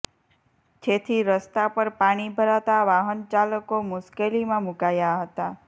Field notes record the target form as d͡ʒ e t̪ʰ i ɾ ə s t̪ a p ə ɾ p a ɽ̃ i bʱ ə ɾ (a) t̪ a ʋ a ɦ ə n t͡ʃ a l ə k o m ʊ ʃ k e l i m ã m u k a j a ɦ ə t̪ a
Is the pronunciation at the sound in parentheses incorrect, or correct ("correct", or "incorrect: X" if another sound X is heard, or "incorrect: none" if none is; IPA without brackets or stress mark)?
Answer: correct